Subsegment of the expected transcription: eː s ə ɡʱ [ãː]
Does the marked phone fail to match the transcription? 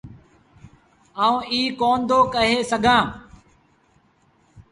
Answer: no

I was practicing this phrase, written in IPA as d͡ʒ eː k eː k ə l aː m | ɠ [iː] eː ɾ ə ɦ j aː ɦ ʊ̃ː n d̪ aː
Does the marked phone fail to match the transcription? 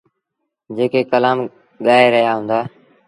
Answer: yes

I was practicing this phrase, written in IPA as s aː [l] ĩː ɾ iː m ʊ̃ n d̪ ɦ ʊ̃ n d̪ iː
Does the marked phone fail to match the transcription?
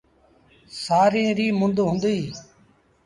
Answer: yes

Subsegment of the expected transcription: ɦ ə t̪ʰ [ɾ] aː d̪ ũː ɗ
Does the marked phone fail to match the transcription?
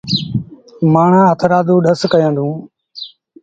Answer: no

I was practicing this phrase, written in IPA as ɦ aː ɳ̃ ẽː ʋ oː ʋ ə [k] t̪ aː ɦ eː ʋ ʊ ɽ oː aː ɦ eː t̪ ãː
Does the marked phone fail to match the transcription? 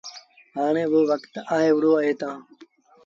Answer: no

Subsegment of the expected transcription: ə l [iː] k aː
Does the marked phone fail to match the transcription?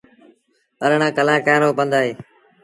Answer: yes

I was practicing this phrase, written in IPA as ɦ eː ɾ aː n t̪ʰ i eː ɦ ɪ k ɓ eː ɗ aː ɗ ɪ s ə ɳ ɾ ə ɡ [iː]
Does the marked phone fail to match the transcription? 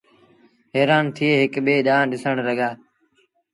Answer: yes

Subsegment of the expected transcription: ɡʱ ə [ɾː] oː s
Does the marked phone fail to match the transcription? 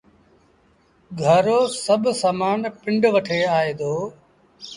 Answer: yes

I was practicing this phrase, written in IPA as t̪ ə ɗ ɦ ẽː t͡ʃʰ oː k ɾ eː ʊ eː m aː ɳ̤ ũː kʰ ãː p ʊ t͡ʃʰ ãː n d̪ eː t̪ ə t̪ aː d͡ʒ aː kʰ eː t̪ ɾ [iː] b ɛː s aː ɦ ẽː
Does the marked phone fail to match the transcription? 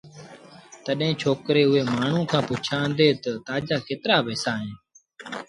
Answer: yes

